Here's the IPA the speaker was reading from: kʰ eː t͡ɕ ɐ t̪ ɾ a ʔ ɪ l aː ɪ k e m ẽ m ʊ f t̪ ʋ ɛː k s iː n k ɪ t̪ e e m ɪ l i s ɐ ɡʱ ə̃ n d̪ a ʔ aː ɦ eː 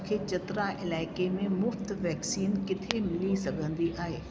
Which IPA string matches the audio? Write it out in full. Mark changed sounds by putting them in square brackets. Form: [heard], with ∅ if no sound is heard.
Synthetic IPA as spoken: kʰ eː t͡ɕ ɐ t̪ ɾ a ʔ ɪ l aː ɪ k e m ẽ m ʊ f t̪ ʋ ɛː k s iː n k ɪ [t̪ʰ] e e m ɪ l i s ɐ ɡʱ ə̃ n d̪ [i] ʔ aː ɦ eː